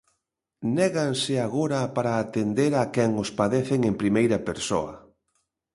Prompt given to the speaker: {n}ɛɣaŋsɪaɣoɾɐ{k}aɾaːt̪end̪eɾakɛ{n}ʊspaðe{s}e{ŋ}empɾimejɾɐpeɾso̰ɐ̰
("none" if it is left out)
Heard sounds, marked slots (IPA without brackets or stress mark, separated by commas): n, p, ŋ, θ, ŋ